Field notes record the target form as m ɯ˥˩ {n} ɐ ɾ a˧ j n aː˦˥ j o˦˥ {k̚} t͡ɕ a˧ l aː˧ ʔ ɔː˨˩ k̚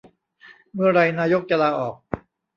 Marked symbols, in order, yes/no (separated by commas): no, yes